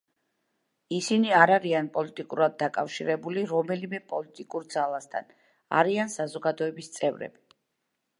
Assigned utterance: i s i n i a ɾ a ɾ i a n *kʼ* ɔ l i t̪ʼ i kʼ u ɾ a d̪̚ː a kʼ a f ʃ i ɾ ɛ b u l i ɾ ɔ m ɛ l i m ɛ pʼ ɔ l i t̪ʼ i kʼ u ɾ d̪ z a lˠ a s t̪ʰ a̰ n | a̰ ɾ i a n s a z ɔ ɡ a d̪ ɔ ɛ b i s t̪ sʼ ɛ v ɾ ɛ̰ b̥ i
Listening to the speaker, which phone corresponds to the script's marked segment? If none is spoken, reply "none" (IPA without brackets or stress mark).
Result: pʼ